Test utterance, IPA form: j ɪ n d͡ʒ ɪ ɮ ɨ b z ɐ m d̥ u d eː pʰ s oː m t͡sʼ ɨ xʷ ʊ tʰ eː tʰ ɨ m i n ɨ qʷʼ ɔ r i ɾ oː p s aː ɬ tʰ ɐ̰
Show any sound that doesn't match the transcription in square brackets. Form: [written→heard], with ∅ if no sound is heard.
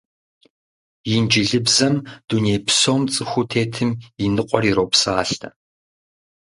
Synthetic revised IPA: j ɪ n d͡ʒ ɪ ɮ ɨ b z ɐ m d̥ u [d→n] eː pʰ s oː m t͡sʼ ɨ xʷ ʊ tʰ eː tʰ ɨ m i n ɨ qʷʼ ɔ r i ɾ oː p s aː ɬ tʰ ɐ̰